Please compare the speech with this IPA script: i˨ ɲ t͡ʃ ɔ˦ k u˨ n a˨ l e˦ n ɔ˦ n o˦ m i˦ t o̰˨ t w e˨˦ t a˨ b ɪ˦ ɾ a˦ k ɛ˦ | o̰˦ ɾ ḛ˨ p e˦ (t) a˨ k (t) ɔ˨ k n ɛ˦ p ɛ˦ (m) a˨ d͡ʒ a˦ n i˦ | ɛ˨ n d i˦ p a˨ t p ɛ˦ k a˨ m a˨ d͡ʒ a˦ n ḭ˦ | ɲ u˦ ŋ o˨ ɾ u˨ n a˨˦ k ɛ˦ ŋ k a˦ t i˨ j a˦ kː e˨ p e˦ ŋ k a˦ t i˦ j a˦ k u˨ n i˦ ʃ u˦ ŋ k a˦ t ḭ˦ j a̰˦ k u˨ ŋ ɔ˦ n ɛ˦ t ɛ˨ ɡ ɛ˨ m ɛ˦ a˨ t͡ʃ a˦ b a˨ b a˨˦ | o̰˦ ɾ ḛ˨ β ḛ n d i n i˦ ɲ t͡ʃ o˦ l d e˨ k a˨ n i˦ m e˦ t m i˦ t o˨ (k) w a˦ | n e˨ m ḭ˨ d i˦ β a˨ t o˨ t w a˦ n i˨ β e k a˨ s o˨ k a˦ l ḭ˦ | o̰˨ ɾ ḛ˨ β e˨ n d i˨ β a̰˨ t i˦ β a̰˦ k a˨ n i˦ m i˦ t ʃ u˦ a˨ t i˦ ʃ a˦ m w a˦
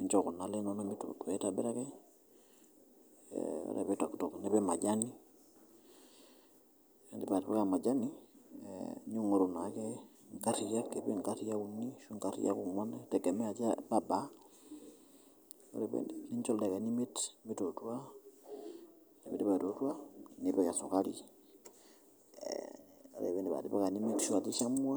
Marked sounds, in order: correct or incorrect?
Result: correct, correct, correct, incorrect: t

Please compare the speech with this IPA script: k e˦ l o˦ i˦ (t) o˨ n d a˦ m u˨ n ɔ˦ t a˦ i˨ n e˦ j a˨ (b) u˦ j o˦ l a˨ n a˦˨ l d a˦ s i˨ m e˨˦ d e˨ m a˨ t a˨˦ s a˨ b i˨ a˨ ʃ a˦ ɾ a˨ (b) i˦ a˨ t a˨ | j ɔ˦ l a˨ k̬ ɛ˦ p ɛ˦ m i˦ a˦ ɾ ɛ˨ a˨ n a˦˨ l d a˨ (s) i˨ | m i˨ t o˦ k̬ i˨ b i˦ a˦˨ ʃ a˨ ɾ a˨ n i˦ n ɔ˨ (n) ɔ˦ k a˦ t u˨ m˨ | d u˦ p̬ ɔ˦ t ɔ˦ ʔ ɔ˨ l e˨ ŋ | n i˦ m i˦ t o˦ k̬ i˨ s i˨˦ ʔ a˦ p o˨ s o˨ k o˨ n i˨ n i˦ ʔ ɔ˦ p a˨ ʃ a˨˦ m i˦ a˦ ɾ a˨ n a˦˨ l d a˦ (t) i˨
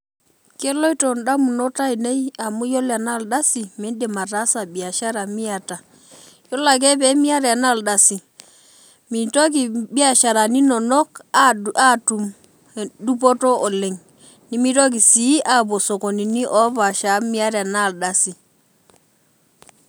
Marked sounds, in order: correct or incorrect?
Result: correct, incorrect: m, incorrect: m, correct, correct, incorrect: s

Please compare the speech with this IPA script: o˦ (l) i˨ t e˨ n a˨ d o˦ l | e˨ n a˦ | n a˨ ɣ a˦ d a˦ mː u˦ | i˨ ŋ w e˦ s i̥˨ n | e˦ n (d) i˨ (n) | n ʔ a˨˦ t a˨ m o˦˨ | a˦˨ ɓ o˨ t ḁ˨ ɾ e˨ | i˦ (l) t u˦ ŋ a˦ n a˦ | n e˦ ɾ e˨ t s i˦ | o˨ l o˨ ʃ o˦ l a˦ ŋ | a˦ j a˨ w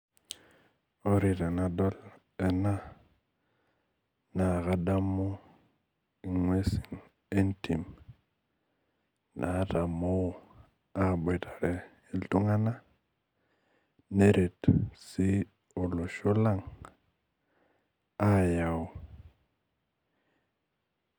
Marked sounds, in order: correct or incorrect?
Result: incorrect: ɾ, incorrect: t, incorrect: m, correct

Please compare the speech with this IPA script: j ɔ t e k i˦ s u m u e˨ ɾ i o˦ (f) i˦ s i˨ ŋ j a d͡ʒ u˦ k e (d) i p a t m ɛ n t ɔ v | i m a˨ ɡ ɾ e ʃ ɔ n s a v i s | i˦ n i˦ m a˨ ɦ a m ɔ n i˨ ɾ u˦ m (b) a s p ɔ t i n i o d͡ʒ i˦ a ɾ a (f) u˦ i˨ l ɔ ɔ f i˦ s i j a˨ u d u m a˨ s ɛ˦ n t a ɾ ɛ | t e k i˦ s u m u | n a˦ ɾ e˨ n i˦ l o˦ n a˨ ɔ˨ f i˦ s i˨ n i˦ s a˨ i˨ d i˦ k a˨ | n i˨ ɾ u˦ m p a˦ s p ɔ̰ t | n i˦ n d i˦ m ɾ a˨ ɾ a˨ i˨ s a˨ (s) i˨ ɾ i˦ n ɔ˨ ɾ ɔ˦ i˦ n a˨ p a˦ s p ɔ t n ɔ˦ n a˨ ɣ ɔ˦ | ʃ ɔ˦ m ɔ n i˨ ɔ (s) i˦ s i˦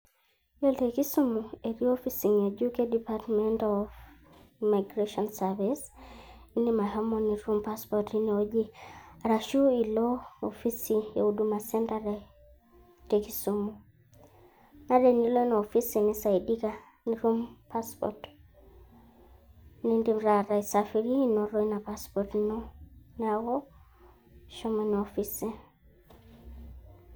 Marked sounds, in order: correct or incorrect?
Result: correct, correct, incorrect: p, incorrect: ʃ, incorrect: f, incorrect: f

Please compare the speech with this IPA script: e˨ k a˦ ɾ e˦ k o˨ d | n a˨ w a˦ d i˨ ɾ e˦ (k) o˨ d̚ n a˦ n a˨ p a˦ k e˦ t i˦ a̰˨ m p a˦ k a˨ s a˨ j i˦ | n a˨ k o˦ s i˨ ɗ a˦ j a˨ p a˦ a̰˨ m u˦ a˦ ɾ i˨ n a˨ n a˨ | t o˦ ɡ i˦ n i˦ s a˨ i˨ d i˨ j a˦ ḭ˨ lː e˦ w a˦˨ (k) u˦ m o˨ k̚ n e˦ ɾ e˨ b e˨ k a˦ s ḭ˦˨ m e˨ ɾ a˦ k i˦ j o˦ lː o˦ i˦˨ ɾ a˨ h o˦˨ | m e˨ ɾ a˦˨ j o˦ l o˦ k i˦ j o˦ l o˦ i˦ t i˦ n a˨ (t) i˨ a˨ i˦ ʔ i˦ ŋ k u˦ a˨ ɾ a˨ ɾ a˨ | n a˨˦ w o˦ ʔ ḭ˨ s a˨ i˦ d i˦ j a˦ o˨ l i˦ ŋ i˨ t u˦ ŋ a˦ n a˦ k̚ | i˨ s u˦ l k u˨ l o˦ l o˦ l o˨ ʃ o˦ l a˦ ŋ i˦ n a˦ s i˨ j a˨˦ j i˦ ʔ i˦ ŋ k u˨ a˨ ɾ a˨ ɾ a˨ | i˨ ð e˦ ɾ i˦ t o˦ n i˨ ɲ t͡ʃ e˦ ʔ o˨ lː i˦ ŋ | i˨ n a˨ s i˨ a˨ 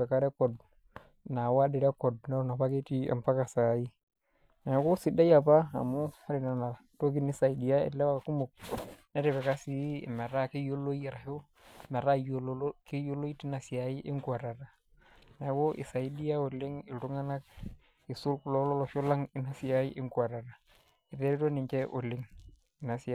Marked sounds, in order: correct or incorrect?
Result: correct, correct, incorrect: s

